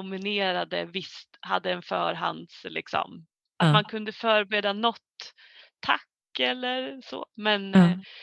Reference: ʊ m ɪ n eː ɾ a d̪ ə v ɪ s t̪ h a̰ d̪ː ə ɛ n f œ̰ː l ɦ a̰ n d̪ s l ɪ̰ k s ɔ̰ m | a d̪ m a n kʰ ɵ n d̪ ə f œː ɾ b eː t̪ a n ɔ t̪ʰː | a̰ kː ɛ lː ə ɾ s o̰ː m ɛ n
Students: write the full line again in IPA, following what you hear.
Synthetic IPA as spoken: ʊ m ɪ n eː ɾ a d̪ ə v ɪ s t̪ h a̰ d̪ː ə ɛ n f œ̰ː ɾ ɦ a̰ n d̪ s l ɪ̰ k s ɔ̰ m | a t̪ m a n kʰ ɵ n d̪ ə f œː ɾ b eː d̪ a n ɔ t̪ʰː | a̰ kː ɛ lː ə ɾ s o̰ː m ɛ n